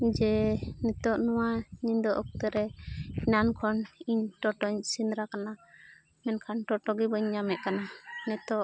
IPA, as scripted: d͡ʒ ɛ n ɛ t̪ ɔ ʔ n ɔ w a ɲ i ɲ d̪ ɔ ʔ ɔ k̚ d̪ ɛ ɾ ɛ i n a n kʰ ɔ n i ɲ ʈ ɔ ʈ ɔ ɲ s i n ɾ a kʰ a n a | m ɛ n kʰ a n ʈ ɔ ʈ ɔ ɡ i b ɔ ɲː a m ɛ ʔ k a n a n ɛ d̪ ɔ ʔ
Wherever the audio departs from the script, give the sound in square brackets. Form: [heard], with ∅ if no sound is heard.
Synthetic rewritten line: d͡ʒ ɛ n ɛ t̪ ɔ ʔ n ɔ w a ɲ i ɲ d̪ ɔ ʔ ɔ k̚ [t̪] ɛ ɾ ɛ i n a n kʰ ɔ n i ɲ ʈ ɔ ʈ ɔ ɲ s i n ɾ a [k] a n a | m ɛ n kʰ a n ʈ ɔ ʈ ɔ ɡ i b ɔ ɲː a m ɛ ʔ k a n a n ɛ [t̪] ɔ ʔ